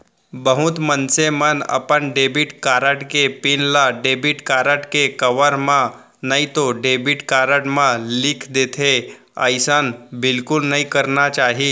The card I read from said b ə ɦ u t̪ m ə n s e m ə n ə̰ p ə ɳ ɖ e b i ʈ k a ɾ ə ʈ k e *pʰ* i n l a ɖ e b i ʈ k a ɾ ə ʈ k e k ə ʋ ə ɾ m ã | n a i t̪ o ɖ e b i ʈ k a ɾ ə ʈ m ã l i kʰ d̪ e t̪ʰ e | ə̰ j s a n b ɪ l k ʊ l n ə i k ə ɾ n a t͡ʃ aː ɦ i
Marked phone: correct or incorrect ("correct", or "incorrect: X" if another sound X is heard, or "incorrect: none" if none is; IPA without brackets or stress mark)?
incorrect: p